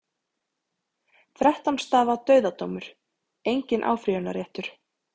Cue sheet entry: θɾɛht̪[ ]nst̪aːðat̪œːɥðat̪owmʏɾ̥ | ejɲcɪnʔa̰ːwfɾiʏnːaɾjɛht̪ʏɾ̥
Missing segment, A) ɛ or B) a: B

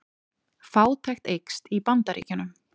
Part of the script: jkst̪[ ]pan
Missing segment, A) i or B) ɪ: A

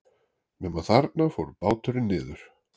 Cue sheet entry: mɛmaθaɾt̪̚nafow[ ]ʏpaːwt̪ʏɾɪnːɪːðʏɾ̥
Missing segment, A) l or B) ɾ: B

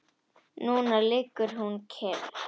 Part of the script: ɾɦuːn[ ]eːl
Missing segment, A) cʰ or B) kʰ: B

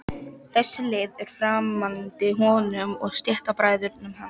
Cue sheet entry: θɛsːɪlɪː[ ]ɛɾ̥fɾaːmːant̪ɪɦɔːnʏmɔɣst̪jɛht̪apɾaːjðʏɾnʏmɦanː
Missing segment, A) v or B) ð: B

